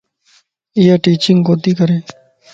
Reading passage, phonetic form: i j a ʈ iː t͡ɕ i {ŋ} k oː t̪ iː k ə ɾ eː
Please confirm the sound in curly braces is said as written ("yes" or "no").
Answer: yes